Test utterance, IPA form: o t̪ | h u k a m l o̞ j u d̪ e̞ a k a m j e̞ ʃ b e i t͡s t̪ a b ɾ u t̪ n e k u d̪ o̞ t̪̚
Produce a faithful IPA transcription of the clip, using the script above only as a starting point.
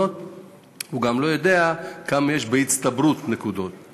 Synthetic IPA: o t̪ | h u ɡ a m l o̞ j o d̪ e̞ a k a m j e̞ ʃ b e i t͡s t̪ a b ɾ u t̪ n e k u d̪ o̞ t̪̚